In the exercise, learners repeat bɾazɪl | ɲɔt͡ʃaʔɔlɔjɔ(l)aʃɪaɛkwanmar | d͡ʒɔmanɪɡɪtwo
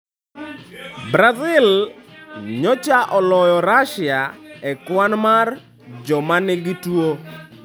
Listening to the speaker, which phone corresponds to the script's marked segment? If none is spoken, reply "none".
ɾ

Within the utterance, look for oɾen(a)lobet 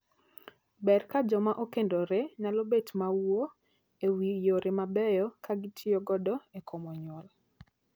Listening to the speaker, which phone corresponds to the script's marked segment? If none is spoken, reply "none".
a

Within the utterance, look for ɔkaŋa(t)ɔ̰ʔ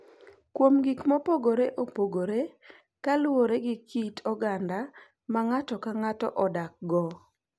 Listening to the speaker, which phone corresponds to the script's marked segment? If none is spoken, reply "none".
t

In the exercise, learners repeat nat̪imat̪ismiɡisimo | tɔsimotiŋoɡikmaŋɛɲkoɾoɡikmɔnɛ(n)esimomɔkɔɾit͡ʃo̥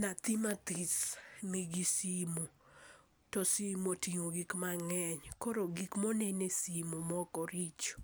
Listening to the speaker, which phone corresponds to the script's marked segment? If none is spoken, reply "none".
n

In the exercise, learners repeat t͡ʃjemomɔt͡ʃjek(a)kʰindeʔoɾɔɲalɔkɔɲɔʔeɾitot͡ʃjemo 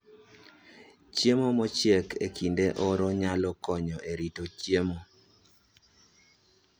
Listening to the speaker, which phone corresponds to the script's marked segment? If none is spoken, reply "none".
e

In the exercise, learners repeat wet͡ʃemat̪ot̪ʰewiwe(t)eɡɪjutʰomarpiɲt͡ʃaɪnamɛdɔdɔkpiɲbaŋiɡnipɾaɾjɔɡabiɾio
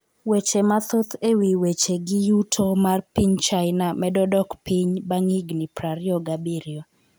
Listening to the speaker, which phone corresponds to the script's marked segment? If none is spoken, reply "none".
t͡ʃ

